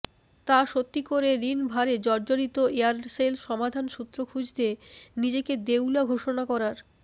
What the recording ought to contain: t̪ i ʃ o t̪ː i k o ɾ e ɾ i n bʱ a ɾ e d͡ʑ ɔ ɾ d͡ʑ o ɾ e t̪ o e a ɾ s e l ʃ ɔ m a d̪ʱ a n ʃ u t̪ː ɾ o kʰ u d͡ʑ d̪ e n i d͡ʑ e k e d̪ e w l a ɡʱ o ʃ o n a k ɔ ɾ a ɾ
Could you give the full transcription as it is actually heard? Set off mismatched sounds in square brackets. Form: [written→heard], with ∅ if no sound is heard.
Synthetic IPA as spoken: t̪ [i→a] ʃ o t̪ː i k o ɾ e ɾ i n bʱ a ɾ e d͡ʑ ɔ ɾ d͡ʑ o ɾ [e→i] t̪ o e a ɾ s e l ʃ ɔ m a d̪ʱ a n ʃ u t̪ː ɾ o kʰ u d͡ʑ d̪ e n i d͡ʑ e k e d̪ e w l a ɡʱ o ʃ o n a k ɔ ɾ a ɾ